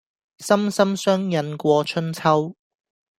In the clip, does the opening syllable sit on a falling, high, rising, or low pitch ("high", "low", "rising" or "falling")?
high